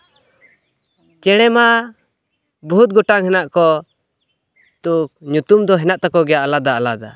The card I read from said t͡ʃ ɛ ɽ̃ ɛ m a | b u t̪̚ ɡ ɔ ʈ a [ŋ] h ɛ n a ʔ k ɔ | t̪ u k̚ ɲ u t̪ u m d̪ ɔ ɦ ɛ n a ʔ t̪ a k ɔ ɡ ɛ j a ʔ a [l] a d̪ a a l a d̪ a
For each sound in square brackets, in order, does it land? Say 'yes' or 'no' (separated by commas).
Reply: yes, yes